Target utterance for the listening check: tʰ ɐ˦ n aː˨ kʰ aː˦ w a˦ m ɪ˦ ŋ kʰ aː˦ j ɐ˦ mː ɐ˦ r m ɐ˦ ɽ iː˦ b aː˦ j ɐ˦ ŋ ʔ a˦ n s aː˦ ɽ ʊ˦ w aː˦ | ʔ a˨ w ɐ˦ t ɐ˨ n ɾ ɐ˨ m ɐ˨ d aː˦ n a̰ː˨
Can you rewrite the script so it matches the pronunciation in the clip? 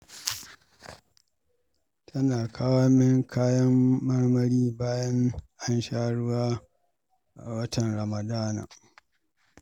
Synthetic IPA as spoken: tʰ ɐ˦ n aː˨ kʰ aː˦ w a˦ m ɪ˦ ŋ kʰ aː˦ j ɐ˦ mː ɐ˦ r m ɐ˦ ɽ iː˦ b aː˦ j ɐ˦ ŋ ʔ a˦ n ʃ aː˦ ɽ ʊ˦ w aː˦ | ʔ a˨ w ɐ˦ t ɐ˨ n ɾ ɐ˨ m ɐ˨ d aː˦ n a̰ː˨